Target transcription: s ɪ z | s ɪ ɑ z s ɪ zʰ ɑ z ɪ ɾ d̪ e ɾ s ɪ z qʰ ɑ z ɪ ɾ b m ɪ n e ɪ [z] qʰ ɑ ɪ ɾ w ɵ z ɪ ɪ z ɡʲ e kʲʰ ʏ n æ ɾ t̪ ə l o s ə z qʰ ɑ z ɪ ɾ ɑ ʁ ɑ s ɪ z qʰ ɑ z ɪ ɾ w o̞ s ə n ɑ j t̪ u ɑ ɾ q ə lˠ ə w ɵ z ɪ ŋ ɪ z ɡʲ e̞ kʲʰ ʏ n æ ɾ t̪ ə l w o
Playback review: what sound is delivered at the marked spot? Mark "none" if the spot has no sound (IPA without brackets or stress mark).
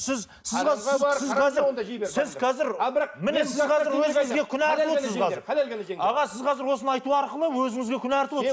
z